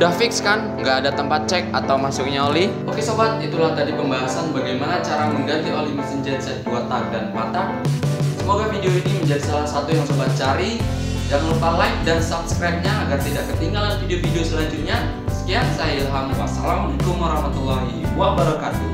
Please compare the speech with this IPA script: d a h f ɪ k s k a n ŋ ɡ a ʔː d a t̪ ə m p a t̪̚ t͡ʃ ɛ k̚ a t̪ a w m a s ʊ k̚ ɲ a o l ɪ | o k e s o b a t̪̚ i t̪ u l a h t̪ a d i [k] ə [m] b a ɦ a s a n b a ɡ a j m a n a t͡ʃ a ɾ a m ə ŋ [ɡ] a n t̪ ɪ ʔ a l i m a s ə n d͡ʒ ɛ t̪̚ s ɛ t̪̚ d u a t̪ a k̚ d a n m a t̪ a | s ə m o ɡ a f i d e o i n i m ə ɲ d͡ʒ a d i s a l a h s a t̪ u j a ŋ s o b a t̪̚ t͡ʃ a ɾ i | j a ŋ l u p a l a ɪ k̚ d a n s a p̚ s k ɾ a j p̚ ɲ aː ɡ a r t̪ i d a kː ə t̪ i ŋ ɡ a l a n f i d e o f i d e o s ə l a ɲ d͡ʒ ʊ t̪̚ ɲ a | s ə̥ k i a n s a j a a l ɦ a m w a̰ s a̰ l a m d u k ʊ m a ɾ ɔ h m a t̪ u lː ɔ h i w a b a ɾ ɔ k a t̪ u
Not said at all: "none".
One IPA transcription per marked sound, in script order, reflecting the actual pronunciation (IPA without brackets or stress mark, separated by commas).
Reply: p, m, ɡ